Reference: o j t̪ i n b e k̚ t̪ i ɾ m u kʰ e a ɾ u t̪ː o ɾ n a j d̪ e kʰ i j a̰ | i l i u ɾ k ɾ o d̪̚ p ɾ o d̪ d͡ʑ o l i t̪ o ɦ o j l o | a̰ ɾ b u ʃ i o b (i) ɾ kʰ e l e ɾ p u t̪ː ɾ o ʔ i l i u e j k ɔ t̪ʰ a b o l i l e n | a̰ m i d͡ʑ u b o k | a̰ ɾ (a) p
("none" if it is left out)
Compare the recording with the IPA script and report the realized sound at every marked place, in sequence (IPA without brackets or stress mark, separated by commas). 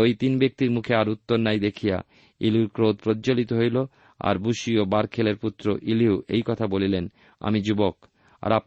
a, a